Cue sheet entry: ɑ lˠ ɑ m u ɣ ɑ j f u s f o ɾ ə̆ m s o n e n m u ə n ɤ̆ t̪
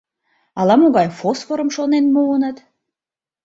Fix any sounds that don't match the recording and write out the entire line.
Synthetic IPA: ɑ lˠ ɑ m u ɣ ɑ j f o s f o ɾ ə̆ m ʃ o n e n m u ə n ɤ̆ t̪